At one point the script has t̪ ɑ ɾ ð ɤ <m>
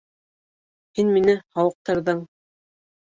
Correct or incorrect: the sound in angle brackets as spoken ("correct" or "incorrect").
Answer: incorrect